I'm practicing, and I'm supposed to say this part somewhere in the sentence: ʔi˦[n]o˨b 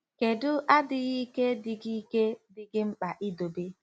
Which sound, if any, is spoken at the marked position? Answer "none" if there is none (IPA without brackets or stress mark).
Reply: d